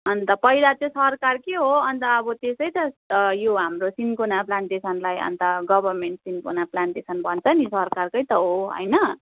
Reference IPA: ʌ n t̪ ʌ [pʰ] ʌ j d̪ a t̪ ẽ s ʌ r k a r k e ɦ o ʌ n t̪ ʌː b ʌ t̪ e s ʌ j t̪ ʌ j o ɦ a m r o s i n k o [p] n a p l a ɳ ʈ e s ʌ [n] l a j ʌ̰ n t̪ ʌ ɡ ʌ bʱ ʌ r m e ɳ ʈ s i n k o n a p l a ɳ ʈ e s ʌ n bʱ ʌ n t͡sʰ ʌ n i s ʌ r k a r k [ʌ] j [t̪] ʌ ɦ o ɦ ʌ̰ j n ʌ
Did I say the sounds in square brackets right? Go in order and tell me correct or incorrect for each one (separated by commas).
incorrect, incorrect, correct, correct, correct